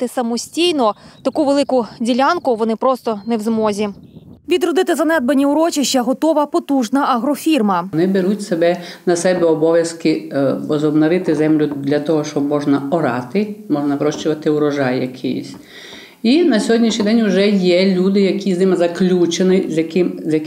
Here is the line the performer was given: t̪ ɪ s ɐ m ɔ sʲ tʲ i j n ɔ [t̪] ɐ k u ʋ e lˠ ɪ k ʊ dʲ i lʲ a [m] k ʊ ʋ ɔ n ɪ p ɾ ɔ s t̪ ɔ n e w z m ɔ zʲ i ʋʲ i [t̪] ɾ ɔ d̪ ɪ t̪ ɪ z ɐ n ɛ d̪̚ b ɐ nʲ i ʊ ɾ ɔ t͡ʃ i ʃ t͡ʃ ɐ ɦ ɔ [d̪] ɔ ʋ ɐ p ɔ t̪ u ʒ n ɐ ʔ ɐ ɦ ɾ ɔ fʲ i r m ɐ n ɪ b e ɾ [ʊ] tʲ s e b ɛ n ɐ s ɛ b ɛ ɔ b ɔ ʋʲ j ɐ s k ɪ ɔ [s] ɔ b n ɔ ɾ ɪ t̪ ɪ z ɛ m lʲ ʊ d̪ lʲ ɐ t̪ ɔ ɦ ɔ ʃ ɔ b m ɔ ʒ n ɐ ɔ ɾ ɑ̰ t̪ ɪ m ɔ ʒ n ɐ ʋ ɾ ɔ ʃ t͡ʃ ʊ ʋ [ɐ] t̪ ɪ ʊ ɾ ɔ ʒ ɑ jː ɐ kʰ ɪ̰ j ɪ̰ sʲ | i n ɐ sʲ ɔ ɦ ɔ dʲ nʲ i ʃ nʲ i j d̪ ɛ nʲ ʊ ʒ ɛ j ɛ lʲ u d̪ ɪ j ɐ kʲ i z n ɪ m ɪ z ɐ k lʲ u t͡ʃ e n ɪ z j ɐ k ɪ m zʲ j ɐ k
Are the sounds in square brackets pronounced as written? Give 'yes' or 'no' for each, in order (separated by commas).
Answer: yes, no, no, no, no, no, yes